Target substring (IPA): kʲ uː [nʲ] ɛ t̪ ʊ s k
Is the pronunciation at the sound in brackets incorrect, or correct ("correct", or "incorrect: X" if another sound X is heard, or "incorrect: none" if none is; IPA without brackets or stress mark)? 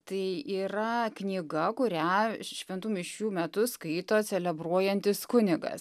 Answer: incorrect: mʲ